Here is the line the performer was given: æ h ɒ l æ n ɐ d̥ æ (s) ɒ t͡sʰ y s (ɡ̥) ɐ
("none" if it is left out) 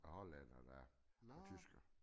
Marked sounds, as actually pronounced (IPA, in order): none, ɡ̥

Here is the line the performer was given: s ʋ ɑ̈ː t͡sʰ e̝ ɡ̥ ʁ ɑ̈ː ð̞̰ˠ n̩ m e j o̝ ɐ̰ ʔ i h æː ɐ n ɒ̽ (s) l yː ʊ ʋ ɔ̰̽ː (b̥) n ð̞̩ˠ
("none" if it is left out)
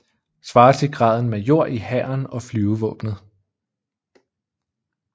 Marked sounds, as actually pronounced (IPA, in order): f, b̥

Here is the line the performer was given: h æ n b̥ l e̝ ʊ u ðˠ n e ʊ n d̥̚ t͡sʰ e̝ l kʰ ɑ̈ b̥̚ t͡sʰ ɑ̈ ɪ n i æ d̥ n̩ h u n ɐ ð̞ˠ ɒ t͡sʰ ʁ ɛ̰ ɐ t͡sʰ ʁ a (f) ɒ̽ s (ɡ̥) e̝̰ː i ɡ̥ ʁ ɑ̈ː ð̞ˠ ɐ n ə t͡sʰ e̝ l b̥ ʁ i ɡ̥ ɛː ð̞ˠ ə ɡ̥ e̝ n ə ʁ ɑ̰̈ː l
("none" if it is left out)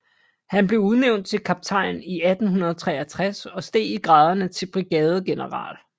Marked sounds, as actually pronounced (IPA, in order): s, d̥

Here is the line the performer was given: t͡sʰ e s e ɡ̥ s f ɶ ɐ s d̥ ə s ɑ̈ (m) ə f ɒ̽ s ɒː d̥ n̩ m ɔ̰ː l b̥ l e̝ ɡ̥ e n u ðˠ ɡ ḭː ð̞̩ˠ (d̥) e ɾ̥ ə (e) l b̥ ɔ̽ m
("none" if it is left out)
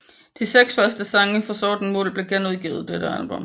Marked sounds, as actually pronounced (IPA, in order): ŋ, d̥, æ

